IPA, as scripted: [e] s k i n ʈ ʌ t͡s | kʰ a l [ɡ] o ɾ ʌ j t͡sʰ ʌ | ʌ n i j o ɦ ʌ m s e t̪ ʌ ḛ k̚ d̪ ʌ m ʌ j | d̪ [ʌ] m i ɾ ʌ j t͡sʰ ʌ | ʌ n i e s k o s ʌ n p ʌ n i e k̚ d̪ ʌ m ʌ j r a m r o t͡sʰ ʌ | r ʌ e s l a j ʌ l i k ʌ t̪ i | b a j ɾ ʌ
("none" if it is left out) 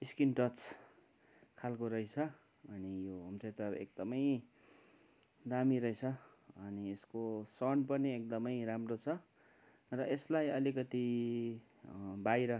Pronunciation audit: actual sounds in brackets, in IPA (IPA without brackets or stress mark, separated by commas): i, k, a